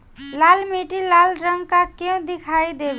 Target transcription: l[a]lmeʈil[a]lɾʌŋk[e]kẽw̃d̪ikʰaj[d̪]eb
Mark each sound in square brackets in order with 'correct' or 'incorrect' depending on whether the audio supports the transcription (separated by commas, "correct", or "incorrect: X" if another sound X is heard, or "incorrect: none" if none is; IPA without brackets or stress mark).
correct, correct, incorrect: a, correct